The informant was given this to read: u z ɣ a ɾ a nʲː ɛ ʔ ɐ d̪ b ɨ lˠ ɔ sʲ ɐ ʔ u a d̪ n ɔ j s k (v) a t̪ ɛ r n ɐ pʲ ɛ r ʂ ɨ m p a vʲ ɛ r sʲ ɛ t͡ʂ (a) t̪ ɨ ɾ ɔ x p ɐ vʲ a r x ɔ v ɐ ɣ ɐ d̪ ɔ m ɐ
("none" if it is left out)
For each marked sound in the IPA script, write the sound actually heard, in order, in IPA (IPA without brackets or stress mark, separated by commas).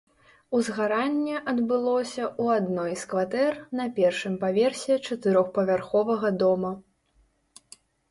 v, ɐ